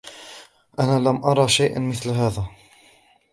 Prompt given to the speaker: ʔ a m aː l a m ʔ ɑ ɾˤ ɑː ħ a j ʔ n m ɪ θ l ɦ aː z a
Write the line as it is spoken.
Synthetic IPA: ʔ a n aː l a m ʔ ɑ ɾˤ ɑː ʃ a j ʔ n m ɪ θ l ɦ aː ð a